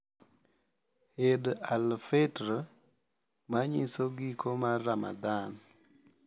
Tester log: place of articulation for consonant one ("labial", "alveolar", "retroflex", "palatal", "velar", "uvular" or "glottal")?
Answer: glottal